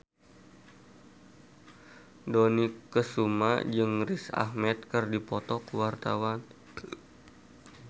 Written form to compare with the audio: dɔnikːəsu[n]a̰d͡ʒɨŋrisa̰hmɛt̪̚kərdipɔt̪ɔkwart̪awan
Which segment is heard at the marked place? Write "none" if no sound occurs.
m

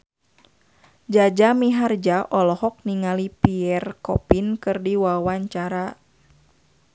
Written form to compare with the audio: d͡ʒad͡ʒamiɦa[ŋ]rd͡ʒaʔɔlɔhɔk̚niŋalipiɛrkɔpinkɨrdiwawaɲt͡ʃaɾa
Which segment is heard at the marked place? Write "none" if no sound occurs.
none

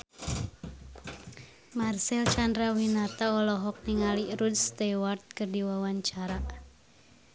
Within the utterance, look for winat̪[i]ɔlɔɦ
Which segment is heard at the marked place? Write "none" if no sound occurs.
a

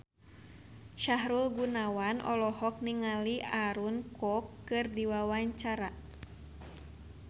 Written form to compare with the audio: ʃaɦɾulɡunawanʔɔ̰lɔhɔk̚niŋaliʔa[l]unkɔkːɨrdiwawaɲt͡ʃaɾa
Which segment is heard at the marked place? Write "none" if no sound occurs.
ɾ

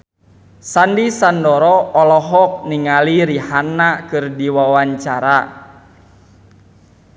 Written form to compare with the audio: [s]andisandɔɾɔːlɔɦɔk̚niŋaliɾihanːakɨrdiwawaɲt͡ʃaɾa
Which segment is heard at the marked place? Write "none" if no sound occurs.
s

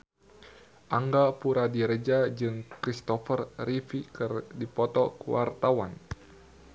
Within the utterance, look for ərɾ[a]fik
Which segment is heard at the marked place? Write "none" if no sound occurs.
i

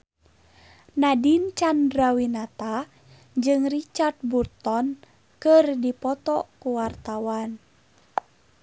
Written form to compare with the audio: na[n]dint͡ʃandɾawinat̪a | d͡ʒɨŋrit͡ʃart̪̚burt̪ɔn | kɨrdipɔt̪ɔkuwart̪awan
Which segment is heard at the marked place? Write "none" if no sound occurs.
none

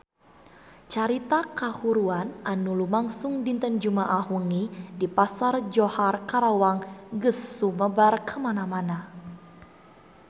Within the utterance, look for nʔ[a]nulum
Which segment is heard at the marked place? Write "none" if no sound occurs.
a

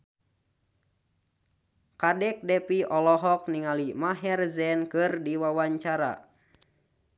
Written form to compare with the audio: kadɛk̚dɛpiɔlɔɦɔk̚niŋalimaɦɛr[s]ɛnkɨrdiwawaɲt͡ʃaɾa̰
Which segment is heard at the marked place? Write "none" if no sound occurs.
z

